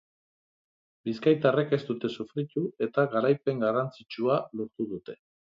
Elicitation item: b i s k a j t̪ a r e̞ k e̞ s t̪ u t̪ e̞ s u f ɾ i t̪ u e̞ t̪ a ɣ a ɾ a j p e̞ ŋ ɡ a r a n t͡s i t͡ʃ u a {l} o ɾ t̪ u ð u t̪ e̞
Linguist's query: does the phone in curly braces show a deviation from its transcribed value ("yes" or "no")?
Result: no